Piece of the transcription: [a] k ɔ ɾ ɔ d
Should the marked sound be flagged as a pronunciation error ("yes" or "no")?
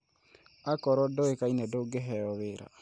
no